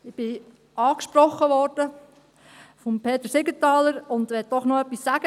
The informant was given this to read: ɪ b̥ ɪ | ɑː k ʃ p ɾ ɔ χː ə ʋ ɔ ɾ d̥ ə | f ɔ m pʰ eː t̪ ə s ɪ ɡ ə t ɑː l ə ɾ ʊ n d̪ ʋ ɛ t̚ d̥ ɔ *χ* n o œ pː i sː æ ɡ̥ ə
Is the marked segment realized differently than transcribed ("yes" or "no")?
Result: no